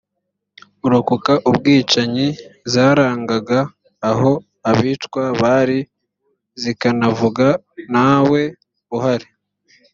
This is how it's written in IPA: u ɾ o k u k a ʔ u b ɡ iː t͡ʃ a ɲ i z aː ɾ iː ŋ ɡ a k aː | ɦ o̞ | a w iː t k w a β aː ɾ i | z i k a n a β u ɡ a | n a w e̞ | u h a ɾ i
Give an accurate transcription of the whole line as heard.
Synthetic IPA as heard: u ɾ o k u k a ʔ u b ɡ iː t͡ʃ a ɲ i z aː ɾ aː ŋ ɡ a ɡ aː | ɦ o̞ | a β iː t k w a β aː ɾ i | z i k a n a v u ɡ a | n a w e̞ | u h a ɾ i